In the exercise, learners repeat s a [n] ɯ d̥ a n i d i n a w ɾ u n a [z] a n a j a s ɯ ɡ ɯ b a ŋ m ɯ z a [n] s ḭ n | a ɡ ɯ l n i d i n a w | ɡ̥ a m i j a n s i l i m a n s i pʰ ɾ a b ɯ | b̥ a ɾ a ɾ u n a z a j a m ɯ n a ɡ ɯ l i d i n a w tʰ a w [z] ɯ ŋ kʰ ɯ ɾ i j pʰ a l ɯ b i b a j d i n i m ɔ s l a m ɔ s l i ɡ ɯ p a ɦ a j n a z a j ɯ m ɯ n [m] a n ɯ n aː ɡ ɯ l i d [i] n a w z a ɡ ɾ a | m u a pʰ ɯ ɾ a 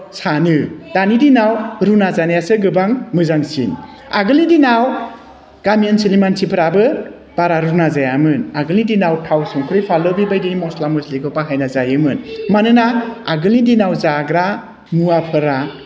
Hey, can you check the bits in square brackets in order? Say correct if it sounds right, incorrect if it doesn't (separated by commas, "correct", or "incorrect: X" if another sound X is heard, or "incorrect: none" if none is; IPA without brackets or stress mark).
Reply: correct, correct, incorrect: ŋ, incorrect: s, correct, correct